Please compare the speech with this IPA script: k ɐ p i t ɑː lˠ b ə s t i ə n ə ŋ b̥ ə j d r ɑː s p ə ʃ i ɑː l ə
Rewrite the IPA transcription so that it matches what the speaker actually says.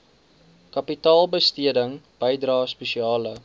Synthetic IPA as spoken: k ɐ p i t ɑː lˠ b ə s t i ə d ə ŋ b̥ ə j d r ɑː s p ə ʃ i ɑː l ə